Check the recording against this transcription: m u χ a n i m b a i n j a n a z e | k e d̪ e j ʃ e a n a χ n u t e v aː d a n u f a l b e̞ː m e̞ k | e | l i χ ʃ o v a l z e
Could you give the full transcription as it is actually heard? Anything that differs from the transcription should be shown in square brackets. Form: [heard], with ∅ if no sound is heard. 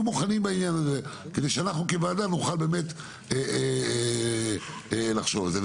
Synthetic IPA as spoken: m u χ a n i m b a i n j a n a z e | k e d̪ e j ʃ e a n a χ n u [k] e v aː d a n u [χ] a l b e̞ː m e̞ [t] | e | l [a] χ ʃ o v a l z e